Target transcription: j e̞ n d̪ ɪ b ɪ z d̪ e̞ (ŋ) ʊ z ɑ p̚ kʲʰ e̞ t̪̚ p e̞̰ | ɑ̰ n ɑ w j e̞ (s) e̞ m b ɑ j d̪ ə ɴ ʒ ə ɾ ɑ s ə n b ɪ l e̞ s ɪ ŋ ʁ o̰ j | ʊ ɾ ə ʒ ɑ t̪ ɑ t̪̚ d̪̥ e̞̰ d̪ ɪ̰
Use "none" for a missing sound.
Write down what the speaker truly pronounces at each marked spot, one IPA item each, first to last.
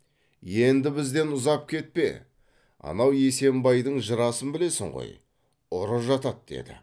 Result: n, s

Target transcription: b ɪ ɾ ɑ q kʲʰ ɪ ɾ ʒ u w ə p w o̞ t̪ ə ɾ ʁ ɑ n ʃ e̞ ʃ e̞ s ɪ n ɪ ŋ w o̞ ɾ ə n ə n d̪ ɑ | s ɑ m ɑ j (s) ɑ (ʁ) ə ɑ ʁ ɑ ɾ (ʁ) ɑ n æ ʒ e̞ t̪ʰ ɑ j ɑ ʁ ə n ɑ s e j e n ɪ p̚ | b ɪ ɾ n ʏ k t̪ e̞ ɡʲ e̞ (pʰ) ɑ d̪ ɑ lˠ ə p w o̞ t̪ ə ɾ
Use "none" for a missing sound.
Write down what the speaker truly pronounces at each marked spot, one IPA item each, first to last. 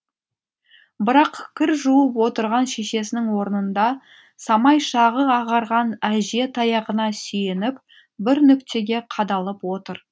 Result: ʃ, ʁ, ʁ, qʰ

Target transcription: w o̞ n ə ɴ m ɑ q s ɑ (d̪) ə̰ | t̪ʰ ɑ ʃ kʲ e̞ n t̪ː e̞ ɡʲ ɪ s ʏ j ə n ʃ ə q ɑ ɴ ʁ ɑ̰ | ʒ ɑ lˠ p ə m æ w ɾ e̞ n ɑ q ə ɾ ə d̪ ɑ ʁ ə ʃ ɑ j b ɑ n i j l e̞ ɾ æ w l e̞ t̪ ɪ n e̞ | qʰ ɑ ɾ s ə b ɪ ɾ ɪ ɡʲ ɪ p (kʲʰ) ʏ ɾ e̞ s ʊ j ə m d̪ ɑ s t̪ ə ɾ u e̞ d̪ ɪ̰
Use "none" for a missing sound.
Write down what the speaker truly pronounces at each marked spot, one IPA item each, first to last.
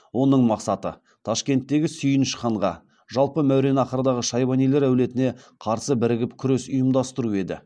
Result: t̪, kʲʰ

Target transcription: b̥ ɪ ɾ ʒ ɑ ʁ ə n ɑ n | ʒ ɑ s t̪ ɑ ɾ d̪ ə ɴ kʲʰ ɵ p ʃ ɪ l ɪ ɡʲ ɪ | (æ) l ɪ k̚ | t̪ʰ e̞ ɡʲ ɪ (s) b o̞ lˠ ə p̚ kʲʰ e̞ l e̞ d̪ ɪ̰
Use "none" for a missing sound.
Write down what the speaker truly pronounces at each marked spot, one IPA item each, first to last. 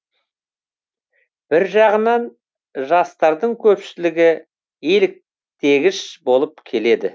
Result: e, ʃ

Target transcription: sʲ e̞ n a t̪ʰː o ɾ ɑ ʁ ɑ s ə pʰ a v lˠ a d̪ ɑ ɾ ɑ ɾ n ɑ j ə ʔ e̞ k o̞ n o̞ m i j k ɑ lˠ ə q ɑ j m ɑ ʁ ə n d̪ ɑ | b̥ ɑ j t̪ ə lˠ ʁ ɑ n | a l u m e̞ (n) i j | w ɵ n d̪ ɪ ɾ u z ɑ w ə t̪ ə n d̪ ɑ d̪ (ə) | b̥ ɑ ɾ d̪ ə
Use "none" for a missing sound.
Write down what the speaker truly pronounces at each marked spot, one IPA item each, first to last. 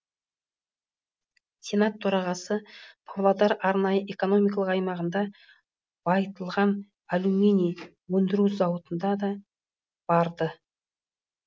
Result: n, ɑ

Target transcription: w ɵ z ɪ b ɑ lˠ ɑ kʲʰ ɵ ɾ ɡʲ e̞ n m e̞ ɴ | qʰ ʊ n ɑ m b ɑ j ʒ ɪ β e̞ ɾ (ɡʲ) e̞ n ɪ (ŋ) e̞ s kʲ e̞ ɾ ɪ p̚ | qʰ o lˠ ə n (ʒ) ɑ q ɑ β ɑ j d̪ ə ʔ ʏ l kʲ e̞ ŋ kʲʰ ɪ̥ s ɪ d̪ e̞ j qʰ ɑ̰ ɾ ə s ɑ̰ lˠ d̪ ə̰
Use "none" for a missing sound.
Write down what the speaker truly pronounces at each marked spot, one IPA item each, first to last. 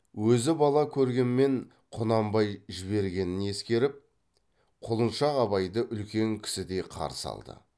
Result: ɡʲ, n, ʃ

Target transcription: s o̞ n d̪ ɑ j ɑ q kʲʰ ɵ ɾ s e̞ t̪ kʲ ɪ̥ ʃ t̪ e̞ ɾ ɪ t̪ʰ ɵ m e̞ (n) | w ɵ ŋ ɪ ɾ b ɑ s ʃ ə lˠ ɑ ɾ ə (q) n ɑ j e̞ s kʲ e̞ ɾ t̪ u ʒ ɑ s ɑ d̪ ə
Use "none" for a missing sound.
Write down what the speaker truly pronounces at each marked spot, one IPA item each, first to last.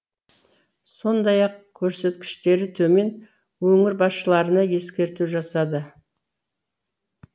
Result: n, none

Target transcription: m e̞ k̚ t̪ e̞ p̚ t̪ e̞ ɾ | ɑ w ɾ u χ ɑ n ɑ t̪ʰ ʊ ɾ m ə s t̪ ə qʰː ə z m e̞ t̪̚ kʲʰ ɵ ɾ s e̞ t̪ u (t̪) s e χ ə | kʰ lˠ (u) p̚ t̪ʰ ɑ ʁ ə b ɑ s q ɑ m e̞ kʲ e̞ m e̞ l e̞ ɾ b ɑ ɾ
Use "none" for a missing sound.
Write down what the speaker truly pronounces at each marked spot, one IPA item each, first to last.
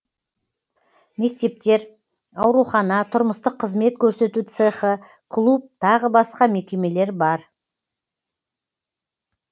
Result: t̪, u

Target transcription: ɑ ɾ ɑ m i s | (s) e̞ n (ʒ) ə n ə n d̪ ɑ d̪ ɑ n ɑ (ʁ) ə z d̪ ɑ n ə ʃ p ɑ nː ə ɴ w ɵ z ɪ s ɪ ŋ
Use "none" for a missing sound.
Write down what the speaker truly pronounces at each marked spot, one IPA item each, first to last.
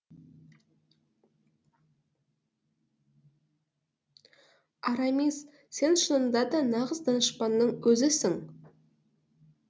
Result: s, ʃ, ʁ

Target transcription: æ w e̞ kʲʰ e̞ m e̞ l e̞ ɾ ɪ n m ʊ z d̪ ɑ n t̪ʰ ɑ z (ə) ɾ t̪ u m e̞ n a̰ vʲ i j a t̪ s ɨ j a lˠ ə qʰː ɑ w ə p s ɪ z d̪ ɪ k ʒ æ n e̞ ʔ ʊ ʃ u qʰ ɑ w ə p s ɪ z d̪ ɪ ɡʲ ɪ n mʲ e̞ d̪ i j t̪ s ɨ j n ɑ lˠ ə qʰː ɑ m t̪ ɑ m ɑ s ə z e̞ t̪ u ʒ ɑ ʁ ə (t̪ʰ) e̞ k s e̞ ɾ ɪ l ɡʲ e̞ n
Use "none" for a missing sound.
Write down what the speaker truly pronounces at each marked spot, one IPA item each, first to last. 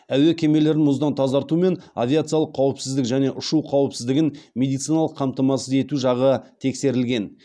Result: ɑ, t̪ʰ

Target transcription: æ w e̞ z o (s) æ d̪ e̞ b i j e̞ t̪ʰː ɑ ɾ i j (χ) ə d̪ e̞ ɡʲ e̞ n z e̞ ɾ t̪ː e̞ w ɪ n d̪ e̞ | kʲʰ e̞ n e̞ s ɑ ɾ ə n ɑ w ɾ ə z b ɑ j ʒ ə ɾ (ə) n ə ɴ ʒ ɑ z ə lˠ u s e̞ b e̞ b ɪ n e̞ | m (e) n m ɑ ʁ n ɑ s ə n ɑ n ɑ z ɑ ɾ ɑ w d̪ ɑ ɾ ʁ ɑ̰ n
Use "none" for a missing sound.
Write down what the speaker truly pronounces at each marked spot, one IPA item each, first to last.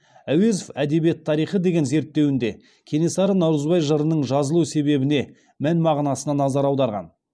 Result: f, χ, ə, æ

